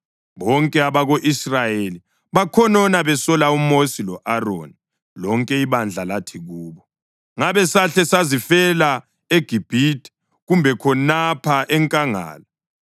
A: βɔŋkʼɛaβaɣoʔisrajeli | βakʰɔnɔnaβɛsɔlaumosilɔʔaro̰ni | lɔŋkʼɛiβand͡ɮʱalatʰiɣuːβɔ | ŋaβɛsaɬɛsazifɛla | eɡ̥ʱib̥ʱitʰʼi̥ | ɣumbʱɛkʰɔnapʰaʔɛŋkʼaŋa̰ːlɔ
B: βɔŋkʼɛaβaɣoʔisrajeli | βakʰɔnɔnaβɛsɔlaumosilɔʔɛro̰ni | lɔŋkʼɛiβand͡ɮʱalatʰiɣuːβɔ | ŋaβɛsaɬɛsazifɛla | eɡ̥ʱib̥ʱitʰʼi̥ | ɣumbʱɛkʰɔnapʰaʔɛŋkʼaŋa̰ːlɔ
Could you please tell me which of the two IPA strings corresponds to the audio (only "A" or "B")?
A